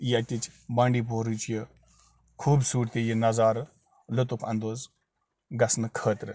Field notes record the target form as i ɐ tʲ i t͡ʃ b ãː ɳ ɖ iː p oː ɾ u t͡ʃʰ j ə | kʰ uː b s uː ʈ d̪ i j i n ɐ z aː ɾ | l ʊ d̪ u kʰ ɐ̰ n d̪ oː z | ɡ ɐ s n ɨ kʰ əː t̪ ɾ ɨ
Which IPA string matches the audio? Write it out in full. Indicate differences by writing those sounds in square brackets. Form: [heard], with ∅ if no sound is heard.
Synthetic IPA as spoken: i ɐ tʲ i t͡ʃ b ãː ɳ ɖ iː p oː ɾ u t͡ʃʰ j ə | kʰ uː b s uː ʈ [t̪] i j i n ɐ z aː ɾ | l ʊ [t̪] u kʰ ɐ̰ n d̪ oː z | ɡ ɐ s n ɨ kʰ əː t̪ ɾ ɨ